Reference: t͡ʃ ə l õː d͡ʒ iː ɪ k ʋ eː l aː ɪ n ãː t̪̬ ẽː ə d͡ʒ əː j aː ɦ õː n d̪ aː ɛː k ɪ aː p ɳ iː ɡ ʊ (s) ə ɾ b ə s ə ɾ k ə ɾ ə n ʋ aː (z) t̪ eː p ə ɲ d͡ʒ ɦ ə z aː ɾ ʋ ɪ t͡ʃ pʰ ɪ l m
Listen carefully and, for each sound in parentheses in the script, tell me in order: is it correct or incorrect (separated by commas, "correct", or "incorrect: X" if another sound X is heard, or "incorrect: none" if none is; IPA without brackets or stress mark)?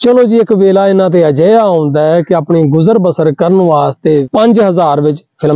incorrect: z, incorrect: s